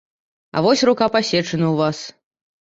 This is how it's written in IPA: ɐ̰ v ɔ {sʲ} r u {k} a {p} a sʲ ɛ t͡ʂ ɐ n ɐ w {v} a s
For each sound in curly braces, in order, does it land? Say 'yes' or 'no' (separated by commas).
yes, yes, yes, yes